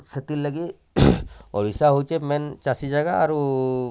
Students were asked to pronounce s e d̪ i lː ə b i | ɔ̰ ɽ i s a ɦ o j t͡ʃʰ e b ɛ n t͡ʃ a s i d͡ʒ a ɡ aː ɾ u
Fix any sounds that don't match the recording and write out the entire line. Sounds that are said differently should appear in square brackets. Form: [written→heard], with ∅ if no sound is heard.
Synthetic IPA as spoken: s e [d̪→t̪] i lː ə [b→ɡ] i | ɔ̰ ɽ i s a ɦ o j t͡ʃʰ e [b→m] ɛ n t͡ʃ a s i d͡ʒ a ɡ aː ɾ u